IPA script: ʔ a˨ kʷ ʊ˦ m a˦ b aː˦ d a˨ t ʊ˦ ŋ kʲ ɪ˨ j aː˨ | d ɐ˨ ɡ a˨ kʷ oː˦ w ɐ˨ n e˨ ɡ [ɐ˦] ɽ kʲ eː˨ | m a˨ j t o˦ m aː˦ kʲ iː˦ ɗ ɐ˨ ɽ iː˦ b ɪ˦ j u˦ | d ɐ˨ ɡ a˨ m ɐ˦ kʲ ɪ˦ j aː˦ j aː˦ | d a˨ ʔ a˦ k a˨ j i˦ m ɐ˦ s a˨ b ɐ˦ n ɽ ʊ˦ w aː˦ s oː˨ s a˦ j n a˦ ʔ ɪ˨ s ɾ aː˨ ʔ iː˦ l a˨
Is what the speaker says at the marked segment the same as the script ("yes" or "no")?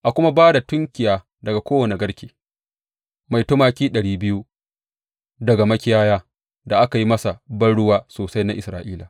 yes